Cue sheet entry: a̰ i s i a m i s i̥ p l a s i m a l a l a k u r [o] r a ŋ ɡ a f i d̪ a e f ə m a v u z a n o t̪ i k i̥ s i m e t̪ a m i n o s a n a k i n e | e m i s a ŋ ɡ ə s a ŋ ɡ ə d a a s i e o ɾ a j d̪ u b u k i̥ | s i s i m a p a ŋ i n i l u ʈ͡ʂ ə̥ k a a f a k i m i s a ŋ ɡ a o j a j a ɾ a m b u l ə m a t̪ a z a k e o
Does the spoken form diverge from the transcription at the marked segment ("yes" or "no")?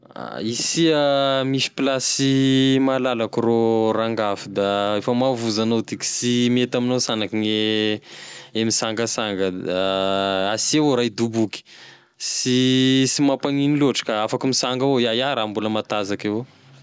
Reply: no